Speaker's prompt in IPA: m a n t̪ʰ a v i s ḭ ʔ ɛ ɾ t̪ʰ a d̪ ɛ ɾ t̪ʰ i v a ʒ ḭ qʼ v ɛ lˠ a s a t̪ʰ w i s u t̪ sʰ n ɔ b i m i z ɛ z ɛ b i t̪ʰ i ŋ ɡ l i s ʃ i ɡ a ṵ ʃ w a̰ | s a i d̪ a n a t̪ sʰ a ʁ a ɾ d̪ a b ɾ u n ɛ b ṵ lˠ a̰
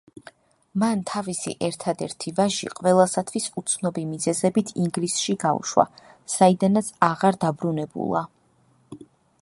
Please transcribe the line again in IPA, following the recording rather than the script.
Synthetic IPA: m a n t̪ʰ a v i s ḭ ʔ ɛ ɾ t̪ʰ a d̪ ɛ ɾ t̪ʰ i v a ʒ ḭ qʼ v ɛ lˠ a s a t̪ʰ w i s u t̪ sʰ n ɔ b i m i z ɛ z ɛ b i t̪ʰ i ŋ ɡ l i s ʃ i ɡ a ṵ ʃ w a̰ | s a i d̪ a n a t̪ sʰ a ʁ a ɾ d̪ a b ɾ u n ɛ b ṵ lˠ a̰